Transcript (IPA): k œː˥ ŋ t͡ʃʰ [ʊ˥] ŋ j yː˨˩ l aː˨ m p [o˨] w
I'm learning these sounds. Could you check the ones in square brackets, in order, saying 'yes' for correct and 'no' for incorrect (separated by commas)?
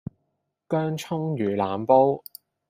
yes, no